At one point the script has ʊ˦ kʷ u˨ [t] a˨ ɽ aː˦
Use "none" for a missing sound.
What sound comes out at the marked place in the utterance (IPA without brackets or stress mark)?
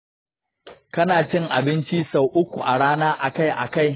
ʔ